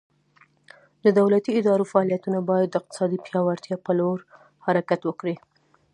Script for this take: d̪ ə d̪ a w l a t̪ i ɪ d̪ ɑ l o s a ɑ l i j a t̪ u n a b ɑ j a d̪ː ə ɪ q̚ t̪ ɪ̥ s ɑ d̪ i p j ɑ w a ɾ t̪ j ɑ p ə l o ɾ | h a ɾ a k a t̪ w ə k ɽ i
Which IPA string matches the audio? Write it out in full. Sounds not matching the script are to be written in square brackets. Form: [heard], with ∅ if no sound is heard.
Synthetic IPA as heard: d̪ ə d̪ a w l a t̪ i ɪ d̪ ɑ [ɾ] o [f] a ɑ l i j a t̪ u n a b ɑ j a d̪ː ə ɪ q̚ t̪ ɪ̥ s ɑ d̪ i p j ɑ w a ɾ t̪ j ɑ p ə l o ɾ | h a ɾ a k a t̪ w ə k ɽ i